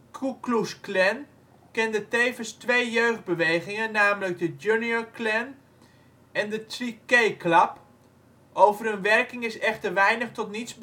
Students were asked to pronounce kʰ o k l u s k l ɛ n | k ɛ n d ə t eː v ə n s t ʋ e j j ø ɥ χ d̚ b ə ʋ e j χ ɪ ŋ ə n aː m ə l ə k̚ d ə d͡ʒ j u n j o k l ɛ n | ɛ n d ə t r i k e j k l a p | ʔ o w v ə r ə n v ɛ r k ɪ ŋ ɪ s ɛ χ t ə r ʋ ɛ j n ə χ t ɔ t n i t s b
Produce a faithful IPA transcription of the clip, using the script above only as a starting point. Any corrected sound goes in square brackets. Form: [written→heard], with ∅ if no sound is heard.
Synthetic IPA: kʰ [o→u] k l u s k l ɛ n | k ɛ n d ə t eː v ə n s t ʋ e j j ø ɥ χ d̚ b ə ʋ e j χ ɪ ŋ ə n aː m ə l ə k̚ d ə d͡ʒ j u n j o k l ɛ n | ɛ n d ə t r i k e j k l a p | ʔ o w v ə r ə n [v→ʋ] ɛ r k ɪ ŋ ɪ s ɛ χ t ə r ʋ ɛ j n ə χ t ɔ t n i t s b